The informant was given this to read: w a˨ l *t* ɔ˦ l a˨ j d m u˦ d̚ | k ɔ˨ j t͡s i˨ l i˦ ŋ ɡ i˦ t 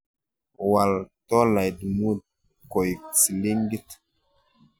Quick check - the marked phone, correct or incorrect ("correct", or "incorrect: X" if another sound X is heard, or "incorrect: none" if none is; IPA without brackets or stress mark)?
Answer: correct